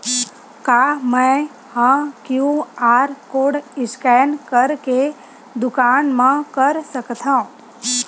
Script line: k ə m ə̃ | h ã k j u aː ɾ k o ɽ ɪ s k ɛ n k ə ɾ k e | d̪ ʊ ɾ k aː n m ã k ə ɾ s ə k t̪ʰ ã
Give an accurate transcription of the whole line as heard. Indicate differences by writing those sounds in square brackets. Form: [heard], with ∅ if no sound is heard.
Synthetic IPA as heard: k [a] m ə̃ | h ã k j u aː ɾ k o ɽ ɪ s k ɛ n k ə ɾ k e | d̪ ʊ [∅] k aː n m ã k ə ɾ s ə k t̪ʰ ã